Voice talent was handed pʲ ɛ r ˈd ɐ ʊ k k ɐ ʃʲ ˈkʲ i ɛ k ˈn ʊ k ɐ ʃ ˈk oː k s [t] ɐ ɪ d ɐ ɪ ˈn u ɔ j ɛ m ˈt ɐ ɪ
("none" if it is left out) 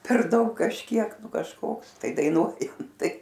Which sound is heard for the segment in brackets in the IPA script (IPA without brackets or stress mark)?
t